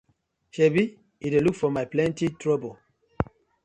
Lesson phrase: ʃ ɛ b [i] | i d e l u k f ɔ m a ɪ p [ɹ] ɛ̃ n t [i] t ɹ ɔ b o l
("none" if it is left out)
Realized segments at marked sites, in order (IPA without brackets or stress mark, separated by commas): i, l, i